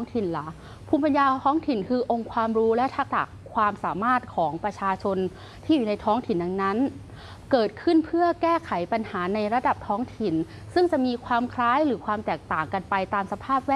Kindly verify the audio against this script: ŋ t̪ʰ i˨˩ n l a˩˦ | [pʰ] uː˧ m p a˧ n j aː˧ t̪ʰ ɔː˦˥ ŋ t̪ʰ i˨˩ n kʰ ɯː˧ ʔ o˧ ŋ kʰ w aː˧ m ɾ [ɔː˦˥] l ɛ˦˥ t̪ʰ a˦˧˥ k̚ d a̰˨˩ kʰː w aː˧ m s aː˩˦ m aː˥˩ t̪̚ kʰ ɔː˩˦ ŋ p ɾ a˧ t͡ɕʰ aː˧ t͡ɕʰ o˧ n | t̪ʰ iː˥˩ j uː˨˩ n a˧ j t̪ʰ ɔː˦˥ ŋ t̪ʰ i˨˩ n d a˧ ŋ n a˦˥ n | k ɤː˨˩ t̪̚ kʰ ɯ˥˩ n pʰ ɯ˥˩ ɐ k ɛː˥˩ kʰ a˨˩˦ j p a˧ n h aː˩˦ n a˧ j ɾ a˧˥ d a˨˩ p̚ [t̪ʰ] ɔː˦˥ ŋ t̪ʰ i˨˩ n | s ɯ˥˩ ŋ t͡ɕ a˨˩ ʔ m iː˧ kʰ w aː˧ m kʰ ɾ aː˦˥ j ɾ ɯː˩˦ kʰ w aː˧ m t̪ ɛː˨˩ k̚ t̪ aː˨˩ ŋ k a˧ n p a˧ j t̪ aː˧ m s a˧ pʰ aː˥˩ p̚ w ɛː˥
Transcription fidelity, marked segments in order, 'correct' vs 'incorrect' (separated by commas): correct, incorrect, correct